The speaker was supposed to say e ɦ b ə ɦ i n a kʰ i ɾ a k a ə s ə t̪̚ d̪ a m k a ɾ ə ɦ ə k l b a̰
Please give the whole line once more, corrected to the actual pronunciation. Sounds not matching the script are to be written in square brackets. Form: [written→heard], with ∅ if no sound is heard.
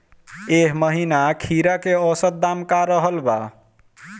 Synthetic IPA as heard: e ɦ [b→m] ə ɦ i n a kʰ i ɾ a k [a→e] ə s ə t̪̚ d̪ a m k a ɾ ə ɦ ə [k→∅] l b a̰